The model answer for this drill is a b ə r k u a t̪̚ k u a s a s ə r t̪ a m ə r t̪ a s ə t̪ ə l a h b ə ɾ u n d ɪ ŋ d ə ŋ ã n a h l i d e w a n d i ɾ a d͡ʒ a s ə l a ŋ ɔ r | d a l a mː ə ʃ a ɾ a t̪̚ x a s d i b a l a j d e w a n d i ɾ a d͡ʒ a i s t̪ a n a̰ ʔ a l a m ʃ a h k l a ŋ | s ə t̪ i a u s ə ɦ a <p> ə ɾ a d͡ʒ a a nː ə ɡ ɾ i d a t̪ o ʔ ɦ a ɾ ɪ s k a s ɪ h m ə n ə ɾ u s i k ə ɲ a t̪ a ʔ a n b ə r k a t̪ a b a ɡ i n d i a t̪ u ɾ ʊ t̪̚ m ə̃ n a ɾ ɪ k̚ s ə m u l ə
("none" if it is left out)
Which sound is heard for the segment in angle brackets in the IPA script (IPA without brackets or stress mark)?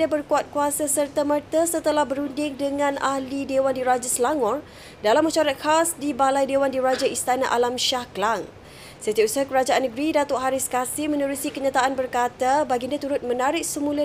k